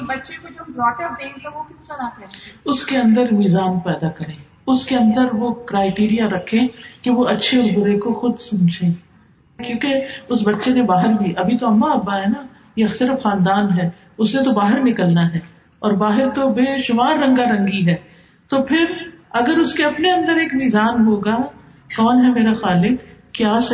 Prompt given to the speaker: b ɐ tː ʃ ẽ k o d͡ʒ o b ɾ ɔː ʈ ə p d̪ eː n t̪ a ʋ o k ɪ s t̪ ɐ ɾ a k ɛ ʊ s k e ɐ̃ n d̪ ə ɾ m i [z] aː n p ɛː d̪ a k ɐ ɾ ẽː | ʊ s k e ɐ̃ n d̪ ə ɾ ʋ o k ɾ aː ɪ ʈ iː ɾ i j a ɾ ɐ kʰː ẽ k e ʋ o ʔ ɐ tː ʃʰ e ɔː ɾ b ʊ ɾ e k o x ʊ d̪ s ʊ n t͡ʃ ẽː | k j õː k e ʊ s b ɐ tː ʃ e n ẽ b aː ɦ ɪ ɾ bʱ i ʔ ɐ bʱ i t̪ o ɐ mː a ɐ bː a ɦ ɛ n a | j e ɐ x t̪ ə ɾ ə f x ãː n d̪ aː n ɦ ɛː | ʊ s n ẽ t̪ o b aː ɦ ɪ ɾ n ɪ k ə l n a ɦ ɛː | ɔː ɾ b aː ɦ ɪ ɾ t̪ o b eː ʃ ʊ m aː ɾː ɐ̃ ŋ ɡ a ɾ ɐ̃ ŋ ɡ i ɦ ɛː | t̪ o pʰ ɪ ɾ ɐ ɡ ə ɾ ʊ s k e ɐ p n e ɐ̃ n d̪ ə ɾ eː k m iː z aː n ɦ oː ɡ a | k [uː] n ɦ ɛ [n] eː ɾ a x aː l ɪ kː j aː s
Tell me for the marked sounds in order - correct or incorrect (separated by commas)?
correct, incorrect, incorrect